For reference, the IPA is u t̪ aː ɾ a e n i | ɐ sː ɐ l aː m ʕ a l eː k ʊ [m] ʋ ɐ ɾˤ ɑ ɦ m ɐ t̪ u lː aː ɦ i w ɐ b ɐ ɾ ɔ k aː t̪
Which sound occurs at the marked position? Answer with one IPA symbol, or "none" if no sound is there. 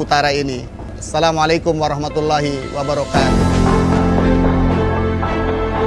m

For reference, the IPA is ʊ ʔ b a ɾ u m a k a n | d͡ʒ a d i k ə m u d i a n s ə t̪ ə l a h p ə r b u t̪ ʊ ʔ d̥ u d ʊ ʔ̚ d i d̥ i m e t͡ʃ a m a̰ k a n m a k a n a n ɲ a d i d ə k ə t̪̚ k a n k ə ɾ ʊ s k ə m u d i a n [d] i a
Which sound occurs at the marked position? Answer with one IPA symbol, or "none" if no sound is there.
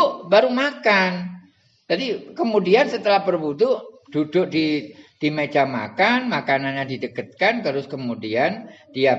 d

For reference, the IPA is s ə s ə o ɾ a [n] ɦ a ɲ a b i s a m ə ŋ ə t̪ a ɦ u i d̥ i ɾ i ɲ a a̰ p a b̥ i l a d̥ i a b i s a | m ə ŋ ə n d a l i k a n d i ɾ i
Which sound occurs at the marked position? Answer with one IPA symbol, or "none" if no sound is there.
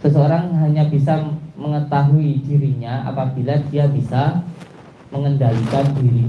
ŋ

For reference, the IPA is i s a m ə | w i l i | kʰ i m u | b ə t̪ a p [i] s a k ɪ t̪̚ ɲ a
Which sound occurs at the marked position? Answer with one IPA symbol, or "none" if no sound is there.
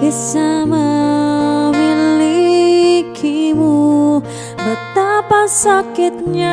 a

